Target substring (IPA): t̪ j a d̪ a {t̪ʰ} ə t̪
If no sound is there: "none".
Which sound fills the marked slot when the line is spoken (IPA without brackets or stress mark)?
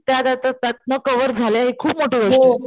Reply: t̪